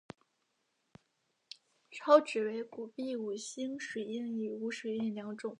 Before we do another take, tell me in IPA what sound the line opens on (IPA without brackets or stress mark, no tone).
ʈ͡ʂʰ